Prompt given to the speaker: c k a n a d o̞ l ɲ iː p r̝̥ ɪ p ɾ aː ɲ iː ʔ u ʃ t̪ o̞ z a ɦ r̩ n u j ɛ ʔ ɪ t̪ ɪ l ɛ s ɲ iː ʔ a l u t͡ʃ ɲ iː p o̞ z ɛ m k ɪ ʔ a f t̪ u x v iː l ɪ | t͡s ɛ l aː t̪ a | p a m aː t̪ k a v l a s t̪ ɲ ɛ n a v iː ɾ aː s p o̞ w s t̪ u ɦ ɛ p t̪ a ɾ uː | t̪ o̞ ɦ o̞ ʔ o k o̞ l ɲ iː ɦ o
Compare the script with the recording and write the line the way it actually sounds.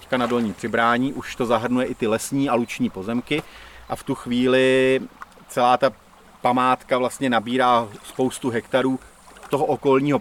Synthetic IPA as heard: c k a n a d o̞ l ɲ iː p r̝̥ ɪ b ɾ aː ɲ iː ʔ u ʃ t̪ o̞ z a ɦ r̩ n u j ɛ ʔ ɪ t̪ ɪ l ɛ s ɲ iː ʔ a l u t͡ʃ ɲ iː p o̞ z ɛ m k ɪ ʔ a f t̪ u x v iː l ɪ | t͡s ɛ l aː t̪ a | p a m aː t̪ k a v l a s t̪ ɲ ɛ n a b iː ɾ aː s p o̞ w s t̪ u ɦ ɛ k t̪ a ɾ uː | t̪ o̞ ɦ o̞ ʔ o k o̞ l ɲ iː ɦ o